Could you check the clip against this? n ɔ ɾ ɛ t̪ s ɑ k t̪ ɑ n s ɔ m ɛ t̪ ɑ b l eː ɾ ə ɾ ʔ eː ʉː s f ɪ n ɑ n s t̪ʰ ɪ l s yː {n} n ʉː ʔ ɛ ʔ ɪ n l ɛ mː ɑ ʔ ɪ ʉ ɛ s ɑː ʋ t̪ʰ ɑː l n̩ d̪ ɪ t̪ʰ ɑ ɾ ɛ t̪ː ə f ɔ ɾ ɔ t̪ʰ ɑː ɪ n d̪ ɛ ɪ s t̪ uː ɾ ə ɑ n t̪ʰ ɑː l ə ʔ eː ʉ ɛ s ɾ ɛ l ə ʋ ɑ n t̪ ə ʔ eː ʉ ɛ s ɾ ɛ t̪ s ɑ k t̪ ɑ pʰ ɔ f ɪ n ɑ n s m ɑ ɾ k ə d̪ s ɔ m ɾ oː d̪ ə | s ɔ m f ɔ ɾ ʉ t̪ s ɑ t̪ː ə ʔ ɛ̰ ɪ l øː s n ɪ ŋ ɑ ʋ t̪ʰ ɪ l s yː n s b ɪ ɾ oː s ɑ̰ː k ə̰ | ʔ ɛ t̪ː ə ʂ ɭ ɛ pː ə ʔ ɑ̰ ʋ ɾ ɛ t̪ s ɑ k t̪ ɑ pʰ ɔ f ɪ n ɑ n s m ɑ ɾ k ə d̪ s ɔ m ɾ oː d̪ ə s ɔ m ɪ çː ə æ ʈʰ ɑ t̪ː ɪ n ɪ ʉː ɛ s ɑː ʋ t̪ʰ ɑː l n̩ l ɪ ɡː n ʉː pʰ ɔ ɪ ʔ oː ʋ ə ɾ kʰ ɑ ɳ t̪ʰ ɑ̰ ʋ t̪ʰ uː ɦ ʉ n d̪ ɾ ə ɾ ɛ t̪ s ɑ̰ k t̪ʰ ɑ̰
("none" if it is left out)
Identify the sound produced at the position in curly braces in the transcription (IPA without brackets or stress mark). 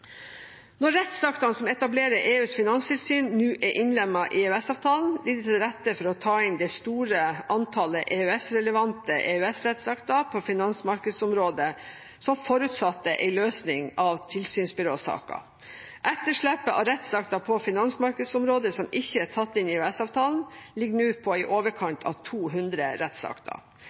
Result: n